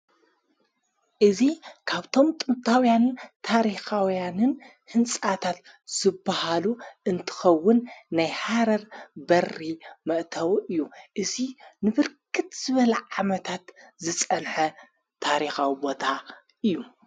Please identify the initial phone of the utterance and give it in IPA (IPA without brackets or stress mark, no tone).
ʔ